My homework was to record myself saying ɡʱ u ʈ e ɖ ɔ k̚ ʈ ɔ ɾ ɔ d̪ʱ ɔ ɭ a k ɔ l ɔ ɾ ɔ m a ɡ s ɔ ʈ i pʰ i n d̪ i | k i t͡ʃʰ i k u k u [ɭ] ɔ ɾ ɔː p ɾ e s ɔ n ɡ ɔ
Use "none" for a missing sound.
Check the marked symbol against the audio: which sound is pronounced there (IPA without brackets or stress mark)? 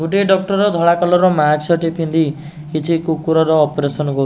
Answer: ɾ